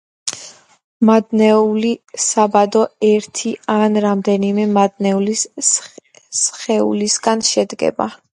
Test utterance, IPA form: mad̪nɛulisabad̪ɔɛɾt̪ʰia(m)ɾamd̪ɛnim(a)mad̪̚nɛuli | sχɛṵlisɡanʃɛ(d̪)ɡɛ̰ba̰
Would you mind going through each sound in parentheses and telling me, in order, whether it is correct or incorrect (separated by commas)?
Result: incorrect, incorrect, correct